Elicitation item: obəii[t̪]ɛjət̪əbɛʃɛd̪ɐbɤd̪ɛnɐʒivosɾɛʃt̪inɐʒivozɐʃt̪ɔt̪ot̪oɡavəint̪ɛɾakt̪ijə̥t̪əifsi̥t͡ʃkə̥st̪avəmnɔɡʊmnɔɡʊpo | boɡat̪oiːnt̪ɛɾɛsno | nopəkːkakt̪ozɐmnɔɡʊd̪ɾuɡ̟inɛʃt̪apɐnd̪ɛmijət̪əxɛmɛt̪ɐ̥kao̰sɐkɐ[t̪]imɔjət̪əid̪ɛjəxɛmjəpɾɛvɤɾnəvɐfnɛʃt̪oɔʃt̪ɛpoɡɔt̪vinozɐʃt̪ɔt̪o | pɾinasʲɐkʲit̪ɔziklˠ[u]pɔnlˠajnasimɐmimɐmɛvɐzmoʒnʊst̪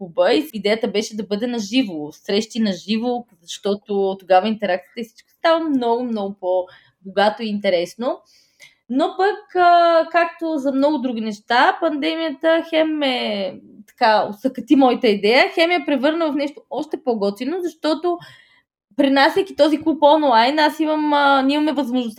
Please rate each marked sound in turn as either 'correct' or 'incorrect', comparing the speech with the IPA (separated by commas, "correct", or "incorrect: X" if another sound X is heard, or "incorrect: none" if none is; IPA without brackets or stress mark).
incorrect: d̪, correct, correct